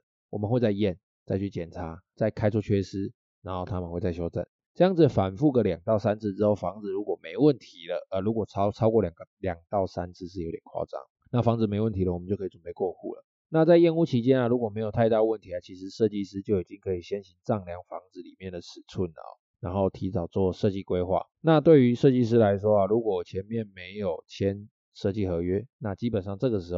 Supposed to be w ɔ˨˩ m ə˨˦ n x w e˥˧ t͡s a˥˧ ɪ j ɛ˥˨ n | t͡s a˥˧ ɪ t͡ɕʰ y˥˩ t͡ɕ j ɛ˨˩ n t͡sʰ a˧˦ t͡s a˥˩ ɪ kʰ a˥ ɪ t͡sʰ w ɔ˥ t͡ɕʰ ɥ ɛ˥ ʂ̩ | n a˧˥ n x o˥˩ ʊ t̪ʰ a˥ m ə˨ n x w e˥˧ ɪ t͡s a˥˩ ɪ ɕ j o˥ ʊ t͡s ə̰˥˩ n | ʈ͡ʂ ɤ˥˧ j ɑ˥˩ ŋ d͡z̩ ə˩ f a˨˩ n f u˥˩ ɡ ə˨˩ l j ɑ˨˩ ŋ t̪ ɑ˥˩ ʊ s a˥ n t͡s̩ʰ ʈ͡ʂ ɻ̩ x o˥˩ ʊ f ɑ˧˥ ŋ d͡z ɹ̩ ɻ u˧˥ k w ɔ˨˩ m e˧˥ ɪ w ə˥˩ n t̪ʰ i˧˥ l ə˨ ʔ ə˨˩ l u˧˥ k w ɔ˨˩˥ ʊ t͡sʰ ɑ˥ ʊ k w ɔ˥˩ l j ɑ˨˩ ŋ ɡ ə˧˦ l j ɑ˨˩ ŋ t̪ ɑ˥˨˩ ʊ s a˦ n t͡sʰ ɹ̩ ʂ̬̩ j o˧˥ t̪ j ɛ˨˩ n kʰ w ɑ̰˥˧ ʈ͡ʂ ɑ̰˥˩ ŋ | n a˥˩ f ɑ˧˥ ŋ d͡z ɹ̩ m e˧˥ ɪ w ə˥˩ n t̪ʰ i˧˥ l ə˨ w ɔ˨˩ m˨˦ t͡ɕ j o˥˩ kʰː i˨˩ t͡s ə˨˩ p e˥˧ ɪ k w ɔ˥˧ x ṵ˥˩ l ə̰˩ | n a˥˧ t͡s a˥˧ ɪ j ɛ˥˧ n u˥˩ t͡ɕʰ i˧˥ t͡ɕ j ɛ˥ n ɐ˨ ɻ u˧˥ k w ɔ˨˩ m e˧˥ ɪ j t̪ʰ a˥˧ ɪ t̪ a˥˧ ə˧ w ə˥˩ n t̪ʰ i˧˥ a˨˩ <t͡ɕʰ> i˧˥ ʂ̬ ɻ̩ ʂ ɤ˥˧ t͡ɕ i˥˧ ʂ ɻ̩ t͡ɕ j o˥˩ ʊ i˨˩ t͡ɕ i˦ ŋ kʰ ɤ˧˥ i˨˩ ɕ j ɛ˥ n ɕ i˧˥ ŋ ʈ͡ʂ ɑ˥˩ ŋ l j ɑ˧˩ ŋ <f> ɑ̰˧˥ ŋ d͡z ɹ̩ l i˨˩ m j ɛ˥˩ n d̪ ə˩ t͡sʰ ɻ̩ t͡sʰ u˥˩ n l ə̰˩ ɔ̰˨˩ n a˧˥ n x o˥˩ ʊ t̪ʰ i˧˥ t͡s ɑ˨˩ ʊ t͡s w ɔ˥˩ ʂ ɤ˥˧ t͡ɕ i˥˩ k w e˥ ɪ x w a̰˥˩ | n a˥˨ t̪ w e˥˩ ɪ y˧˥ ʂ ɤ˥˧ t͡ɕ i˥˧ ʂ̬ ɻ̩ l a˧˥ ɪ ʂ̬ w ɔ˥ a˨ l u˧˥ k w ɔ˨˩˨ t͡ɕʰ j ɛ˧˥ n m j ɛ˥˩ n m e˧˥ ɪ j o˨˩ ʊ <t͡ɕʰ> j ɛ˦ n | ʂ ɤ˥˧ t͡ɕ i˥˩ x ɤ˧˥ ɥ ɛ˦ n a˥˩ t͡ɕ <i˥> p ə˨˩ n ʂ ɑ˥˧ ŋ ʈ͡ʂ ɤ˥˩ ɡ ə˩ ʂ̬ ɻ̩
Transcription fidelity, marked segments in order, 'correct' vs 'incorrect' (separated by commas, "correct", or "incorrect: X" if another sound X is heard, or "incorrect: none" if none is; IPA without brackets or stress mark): correct, correct, correct, correct